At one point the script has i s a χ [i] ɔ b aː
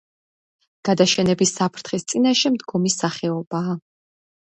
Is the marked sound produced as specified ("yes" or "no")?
no